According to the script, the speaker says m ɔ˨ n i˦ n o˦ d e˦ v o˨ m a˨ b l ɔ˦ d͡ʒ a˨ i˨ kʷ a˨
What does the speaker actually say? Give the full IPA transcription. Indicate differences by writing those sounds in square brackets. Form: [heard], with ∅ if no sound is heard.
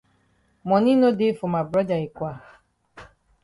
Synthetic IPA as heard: m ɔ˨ n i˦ n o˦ d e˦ [f] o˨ m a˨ b [ɾ] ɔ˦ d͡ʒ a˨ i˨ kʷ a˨